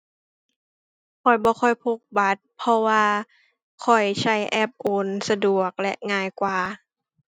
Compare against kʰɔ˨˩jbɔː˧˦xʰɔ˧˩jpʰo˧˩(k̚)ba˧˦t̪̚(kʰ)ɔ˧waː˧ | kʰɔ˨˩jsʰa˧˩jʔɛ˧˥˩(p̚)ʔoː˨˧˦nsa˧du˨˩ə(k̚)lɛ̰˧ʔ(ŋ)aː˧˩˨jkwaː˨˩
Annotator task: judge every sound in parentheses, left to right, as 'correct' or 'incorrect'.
correct, incorrect: pʰ, correct, correct, correct

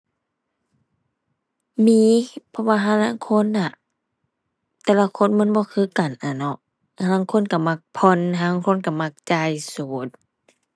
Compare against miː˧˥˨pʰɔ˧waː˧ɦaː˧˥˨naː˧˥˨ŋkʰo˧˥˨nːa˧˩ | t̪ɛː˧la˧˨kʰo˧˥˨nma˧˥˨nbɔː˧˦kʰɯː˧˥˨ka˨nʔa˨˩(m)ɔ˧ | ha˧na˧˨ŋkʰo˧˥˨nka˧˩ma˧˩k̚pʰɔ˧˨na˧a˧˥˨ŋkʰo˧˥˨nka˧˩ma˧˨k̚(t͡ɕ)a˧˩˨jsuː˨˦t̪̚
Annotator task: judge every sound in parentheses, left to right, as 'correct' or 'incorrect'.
incorrect: n, correct

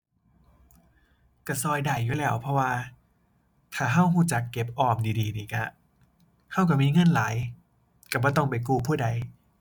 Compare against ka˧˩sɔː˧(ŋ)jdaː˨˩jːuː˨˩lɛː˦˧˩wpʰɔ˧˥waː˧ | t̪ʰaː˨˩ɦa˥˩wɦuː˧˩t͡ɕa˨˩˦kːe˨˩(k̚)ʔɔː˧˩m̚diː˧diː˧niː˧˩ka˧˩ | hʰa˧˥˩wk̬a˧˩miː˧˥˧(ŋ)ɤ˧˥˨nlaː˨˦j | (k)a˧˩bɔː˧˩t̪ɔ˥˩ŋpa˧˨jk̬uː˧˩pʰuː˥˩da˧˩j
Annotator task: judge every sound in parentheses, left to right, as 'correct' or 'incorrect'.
incorrect: none, incorrect: p̚, correct, correct

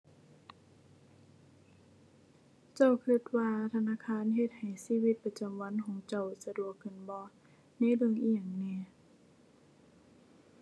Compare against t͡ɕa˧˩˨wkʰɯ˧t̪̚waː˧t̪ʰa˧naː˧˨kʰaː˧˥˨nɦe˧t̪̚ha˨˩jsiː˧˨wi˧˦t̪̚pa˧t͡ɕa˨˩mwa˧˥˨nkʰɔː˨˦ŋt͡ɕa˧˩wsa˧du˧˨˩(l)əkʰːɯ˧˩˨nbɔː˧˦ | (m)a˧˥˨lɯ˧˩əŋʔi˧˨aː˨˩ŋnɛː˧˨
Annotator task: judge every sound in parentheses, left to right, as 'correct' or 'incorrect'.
incorrect: none, incorrect: n

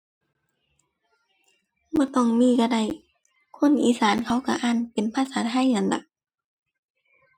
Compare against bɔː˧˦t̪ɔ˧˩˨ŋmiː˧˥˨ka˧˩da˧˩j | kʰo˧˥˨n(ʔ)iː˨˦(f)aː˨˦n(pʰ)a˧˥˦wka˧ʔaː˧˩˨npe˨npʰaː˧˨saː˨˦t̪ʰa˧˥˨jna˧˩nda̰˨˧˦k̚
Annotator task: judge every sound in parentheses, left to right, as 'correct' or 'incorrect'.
correct, incorrect: s, incorrect: kʰ

